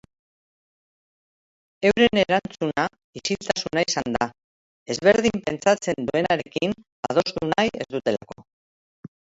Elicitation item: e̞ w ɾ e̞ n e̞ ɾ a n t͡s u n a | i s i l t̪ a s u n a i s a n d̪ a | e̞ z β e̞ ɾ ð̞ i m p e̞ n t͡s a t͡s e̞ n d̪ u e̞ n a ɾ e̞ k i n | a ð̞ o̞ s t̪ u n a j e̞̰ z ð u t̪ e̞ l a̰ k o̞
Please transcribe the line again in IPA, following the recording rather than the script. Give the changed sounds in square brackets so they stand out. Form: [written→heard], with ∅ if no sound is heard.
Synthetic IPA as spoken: e̞ w ɾ e̞ n e̞ ɾ a n t͡s u n a | i s i l t̪ a s u n a i s a n d̪ a | e̞ z β e̞ ɾ ð̞ i m p e̞ n t͡s a t͡s e̞ n d̪ u e̞ n a ɾ e̞ k i n | a ð̞ o̞ s t̪ u n a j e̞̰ z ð u t̪ e̞ l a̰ k o̞